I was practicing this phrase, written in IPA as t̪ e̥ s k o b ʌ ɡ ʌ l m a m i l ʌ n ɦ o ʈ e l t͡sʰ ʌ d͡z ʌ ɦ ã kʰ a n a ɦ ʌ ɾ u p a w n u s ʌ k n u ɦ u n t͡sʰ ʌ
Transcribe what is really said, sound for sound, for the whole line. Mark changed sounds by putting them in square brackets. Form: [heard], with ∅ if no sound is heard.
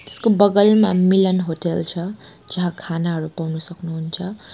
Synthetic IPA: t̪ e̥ s k o b ʌ ɡ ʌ l m a m i l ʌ n ɦ o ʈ e l t͡sʰ ʌ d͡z ʌ ɦ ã kʰ a n a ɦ ʌ ɾ u p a w n u s ʌ k n u ɦ u n t͡sʰ ʌ